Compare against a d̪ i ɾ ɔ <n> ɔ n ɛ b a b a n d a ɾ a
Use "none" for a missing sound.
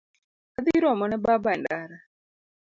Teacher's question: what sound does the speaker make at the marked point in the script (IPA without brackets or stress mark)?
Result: m